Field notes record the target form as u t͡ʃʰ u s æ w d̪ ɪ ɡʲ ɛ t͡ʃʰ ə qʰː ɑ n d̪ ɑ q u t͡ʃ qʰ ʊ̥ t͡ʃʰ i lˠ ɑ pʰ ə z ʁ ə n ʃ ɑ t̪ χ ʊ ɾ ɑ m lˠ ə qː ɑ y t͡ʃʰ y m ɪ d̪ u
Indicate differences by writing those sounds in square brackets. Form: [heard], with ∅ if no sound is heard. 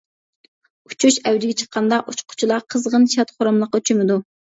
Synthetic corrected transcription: u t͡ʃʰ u [ʃ] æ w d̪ ɪ ɡʲ ɛ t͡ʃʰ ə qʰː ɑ n d̪ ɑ [ʔ] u t͡ʃ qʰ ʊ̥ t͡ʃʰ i lˠ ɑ [qʰ] ə z ʁ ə n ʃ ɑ t̪ χ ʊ ɾ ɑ m lˠ ə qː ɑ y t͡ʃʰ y m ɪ d̪ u